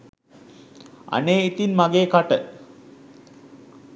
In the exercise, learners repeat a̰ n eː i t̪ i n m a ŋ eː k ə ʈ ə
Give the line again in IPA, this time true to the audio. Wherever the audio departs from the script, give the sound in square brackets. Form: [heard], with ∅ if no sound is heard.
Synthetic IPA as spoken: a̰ n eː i t̪ i n m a [ɡ] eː k [a] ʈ ə